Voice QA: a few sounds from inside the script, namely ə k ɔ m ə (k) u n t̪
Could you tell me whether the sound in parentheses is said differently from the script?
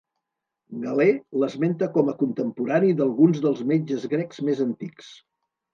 no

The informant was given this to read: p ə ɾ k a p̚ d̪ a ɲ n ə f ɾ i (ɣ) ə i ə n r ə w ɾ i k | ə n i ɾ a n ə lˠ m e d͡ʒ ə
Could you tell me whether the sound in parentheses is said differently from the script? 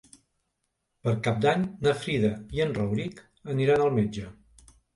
yes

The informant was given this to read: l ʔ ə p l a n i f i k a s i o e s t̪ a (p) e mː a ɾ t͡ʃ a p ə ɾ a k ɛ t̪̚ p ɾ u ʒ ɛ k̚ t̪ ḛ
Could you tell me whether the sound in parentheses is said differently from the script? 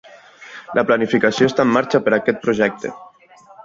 yes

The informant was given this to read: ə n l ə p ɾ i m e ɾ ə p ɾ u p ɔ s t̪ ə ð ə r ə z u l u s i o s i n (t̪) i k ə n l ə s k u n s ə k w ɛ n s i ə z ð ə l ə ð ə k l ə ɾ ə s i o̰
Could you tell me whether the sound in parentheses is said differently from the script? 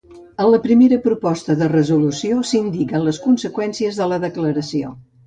yes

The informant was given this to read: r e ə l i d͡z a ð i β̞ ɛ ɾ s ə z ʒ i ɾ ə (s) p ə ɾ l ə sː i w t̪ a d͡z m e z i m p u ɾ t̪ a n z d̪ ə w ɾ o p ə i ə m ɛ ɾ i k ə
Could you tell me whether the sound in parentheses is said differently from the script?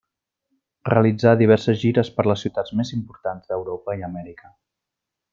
no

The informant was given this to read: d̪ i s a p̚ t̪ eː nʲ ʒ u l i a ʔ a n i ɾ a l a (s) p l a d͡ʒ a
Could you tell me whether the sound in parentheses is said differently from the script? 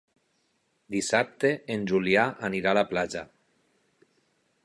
yes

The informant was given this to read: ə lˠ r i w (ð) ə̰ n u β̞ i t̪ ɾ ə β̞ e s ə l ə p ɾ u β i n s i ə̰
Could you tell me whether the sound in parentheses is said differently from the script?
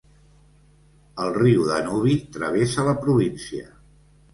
no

